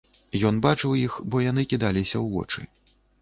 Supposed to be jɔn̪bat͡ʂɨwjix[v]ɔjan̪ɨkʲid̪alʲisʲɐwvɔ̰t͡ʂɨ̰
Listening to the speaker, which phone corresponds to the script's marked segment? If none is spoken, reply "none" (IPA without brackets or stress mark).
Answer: b